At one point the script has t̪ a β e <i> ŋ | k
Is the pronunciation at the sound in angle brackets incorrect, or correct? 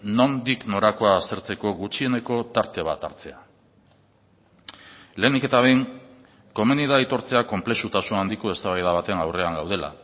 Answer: incorrect